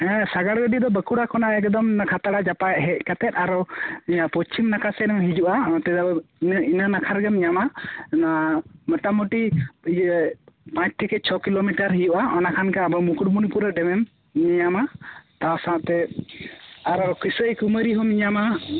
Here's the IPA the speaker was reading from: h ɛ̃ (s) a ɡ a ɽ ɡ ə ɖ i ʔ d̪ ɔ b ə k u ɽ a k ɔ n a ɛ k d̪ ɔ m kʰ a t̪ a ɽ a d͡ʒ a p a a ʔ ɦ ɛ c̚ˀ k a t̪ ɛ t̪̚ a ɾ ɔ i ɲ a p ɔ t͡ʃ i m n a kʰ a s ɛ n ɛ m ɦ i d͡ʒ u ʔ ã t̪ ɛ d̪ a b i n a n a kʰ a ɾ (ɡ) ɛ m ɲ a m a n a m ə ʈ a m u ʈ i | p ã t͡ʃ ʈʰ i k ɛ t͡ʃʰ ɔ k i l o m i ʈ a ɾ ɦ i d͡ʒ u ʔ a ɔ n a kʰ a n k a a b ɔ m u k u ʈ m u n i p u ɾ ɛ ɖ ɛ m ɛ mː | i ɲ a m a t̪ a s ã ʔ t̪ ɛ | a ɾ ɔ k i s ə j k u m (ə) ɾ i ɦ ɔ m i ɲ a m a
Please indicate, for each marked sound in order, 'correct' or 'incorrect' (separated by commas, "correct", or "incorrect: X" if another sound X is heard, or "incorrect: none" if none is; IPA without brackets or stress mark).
correct, correct, correct